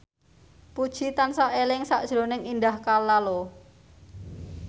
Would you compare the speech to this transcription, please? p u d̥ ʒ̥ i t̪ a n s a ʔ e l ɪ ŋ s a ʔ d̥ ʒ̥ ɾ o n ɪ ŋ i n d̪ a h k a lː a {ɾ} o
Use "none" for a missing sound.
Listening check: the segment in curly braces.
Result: l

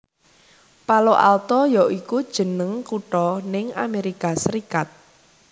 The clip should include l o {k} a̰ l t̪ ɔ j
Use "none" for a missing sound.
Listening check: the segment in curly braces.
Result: ʔ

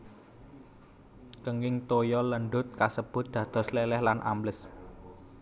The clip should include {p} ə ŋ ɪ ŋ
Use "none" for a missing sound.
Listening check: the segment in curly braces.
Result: k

